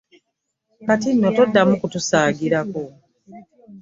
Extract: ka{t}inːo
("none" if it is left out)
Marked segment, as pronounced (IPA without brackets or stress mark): t